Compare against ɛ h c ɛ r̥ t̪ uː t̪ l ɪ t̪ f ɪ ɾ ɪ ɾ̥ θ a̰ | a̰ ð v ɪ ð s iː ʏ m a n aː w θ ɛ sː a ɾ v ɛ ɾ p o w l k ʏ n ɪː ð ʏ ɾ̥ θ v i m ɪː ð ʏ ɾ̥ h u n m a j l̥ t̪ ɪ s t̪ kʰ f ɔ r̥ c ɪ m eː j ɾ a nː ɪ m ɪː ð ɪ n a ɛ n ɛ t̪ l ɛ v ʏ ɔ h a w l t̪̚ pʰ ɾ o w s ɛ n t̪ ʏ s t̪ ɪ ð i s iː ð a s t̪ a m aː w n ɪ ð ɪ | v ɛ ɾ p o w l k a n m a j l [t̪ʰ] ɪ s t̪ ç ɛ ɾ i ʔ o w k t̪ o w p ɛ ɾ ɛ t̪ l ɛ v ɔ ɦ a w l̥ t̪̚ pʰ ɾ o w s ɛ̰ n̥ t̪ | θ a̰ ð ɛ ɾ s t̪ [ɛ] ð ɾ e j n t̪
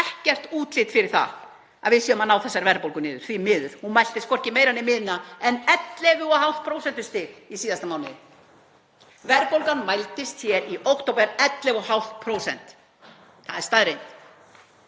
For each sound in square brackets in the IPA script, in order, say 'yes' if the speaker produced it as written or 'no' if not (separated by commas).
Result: no, no